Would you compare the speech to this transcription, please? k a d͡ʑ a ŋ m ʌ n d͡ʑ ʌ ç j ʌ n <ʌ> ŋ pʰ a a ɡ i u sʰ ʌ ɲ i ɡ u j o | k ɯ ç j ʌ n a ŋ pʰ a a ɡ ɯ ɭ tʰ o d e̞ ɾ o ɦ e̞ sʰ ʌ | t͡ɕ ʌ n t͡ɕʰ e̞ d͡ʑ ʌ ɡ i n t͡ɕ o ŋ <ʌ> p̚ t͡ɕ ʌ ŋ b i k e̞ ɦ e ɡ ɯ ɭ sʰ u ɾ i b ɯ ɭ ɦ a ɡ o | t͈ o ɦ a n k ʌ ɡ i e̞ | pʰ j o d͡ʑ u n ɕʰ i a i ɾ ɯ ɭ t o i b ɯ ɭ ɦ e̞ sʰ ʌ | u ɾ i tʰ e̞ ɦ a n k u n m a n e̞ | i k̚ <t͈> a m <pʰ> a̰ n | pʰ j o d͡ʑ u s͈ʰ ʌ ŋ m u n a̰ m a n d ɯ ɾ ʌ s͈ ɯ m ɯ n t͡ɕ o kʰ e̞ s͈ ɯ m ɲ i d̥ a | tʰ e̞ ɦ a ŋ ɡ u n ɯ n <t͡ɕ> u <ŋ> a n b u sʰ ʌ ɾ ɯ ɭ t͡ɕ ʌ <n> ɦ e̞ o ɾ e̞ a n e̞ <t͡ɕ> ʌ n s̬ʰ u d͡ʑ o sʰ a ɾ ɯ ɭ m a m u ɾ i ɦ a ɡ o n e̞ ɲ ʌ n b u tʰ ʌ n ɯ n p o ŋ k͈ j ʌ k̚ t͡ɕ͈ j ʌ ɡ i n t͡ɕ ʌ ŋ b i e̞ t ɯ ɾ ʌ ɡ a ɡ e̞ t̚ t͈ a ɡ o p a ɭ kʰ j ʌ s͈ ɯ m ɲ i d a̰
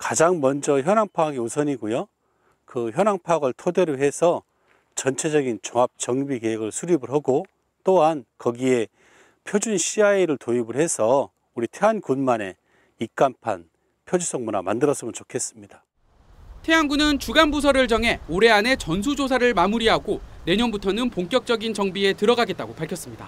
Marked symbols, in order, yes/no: no, no, no, yes, yes, no, no, yes

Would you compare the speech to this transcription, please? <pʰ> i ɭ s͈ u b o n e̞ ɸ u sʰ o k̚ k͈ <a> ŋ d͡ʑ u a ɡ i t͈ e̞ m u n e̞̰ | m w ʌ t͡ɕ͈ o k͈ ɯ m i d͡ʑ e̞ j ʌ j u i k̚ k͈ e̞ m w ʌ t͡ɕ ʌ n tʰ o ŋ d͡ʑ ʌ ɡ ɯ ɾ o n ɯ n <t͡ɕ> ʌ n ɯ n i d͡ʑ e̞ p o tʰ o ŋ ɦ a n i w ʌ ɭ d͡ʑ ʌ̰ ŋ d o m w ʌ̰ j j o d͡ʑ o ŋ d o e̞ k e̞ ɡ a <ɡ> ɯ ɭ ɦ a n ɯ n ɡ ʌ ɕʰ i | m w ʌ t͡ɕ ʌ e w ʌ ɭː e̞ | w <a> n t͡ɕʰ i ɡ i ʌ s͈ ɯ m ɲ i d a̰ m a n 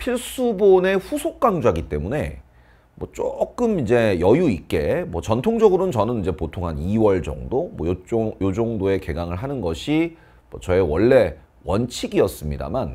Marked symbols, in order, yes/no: yes, yes, yes, no, no

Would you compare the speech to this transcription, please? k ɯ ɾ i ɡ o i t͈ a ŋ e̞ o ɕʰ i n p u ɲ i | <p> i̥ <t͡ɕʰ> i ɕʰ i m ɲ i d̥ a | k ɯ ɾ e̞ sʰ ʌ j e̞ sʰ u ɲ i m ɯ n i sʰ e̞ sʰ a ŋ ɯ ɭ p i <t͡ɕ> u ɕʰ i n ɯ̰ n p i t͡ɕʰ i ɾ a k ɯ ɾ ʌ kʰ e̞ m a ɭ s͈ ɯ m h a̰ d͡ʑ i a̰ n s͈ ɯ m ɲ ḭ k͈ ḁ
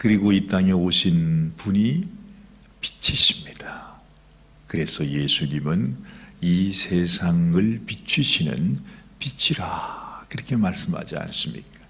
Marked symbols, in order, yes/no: yes, yes, no

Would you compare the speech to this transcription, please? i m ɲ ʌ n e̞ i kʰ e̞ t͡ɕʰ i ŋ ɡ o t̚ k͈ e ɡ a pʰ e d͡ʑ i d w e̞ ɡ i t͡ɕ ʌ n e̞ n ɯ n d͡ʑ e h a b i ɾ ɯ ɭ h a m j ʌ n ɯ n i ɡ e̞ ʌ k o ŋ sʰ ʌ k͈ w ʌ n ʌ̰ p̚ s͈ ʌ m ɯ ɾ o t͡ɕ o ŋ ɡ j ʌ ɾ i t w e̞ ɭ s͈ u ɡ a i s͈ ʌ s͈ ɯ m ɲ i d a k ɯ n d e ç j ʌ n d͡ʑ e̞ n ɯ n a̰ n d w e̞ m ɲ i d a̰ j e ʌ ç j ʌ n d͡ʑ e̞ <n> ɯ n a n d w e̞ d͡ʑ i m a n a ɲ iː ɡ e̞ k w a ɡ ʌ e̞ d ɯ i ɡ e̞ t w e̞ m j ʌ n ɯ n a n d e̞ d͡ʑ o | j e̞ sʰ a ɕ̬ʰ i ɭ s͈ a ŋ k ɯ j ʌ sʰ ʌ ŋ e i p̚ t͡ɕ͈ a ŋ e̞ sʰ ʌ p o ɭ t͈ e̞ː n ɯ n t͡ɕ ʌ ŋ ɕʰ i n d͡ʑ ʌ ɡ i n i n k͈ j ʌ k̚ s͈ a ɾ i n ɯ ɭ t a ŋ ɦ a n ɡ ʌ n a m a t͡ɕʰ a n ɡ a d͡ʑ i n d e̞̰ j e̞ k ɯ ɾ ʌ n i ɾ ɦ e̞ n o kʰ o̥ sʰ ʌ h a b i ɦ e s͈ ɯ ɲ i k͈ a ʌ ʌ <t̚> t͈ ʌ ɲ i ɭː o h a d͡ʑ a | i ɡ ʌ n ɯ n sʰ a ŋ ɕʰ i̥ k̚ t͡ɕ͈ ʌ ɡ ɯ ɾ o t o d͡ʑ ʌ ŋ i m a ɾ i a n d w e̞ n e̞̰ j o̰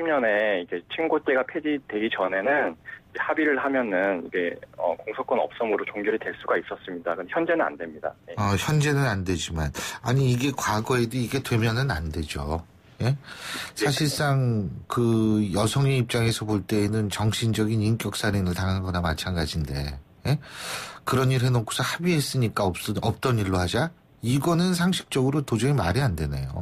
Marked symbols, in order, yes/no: yes, no

